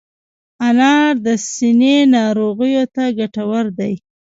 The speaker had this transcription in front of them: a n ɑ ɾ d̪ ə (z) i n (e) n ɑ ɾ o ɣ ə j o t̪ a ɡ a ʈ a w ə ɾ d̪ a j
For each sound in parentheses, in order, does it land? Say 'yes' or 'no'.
no, yes

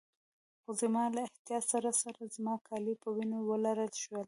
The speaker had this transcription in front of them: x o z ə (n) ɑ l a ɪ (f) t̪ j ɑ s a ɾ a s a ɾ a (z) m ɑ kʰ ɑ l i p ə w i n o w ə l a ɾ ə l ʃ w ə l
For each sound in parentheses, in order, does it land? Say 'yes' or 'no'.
no, no, yes

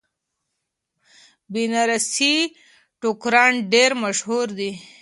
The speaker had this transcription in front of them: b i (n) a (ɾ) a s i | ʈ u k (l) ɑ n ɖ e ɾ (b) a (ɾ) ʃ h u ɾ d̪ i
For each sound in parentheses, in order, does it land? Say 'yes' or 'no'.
yes, yes, no, no, no

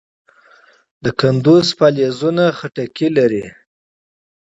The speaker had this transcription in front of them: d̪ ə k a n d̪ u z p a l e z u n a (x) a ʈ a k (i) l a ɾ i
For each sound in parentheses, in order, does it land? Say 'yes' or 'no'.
yes, yes

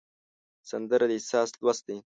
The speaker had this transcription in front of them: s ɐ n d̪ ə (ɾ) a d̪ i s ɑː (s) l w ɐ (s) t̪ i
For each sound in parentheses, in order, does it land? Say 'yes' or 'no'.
yes, yes, yes

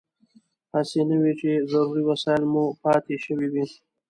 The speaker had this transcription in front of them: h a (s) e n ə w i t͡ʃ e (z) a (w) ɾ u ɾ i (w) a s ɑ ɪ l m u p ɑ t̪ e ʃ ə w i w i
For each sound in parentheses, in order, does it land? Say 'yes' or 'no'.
yes, yes, no, yes

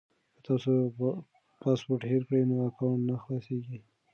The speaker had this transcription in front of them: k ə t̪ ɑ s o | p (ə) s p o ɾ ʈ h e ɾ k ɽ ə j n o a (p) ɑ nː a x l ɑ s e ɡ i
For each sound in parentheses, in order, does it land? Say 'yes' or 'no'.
no, no

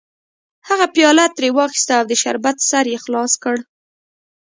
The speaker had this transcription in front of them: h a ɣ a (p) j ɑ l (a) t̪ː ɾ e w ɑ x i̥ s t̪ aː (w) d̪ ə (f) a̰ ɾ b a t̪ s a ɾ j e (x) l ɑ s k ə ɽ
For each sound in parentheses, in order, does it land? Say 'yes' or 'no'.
yes, yes, yes, no, yes

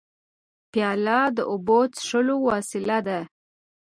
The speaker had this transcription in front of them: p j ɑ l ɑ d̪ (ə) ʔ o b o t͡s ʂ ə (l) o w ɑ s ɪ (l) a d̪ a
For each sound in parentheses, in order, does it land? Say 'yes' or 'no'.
yes, yes, yes

